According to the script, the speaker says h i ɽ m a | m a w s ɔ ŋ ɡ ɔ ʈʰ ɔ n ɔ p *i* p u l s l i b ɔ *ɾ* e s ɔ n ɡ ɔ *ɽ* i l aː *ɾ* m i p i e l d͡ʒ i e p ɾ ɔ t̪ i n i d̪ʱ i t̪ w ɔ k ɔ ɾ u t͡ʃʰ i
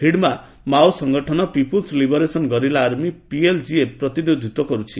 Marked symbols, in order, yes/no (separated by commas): yes, yes, no, yes